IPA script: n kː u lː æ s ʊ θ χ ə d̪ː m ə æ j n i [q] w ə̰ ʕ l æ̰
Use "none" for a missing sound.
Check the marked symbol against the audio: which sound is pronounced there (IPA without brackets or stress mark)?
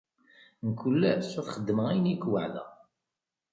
k